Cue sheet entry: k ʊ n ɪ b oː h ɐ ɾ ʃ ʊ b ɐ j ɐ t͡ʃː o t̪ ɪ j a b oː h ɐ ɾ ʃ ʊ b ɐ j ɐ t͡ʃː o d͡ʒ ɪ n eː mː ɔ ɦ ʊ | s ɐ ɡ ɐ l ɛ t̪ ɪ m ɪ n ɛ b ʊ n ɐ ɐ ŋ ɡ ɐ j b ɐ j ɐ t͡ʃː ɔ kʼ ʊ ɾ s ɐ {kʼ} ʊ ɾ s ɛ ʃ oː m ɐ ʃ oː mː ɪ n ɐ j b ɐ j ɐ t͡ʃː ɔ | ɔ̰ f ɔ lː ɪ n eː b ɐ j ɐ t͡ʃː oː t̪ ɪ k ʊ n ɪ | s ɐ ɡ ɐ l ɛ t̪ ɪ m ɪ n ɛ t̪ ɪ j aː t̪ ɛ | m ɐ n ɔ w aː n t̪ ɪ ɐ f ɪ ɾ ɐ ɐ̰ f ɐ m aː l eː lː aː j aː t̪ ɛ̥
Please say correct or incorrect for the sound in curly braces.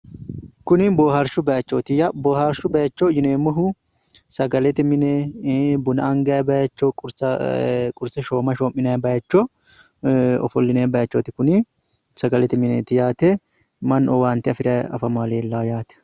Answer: correct